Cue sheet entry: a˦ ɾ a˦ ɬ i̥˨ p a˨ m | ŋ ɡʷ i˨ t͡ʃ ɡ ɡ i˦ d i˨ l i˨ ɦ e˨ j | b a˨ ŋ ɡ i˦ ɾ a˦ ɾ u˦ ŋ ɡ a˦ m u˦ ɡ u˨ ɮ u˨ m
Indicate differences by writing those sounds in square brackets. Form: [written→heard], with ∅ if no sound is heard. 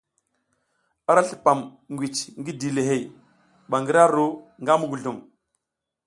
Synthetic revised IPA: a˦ ɾ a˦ ɬ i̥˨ p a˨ m | ŋ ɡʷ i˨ t͡ʃ [ɡ→ŋ] ɡ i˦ d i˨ l [i˨→e˨] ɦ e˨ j | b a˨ ŋ ɡ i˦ ɾ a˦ ɾ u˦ ŋ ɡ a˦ m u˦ ɡ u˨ ɮ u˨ m